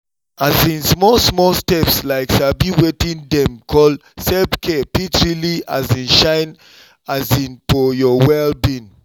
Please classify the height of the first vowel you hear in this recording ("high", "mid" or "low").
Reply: low